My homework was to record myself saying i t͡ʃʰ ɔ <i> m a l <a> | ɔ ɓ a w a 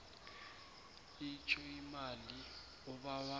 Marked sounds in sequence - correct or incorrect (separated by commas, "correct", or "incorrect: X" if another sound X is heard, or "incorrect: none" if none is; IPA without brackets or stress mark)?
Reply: correct, incorrect: i